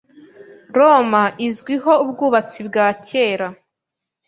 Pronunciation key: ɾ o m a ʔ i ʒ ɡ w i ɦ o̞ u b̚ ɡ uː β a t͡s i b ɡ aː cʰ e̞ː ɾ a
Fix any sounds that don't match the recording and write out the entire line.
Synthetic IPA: ɾ o m a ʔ i z ɡ w i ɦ o̞ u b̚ ɡ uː β a t͡s i b ɡ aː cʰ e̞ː ɾ a